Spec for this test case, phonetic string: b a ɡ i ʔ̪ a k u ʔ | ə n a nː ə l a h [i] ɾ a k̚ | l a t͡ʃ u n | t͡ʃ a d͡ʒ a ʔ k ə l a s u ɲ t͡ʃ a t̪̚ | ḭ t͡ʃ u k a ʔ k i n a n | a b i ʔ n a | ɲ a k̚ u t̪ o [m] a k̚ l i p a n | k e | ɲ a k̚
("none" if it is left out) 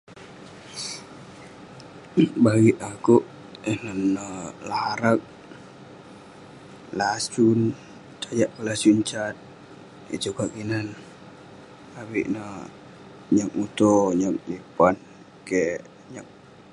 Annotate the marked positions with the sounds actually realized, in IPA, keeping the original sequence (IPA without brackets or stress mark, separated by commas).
a, ɲ